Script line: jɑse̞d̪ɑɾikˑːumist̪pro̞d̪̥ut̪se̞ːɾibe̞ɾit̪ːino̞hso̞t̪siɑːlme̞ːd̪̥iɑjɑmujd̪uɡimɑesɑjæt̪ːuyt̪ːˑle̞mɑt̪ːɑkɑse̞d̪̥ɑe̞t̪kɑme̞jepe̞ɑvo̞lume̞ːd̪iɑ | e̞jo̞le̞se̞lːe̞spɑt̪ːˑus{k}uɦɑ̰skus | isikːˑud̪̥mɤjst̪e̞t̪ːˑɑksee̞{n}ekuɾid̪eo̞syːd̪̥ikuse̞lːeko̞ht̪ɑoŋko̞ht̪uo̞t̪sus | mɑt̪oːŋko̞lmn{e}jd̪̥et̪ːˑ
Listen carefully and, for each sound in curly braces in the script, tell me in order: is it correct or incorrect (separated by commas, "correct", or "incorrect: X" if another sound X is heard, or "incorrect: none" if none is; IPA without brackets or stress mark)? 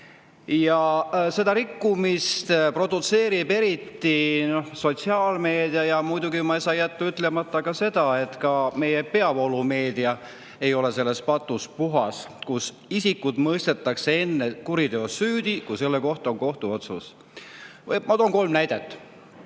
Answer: incorrect: p, incorrect: nː, incorrect: æ